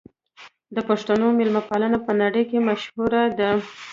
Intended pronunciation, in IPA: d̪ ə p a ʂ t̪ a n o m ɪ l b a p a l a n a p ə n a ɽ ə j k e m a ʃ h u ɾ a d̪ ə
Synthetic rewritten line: d̪ ə p a ʂ t̪ a n o m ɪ l m a p a l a n a p ə n a ɽ ə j k e m a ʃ h u ɾ a d̪ ə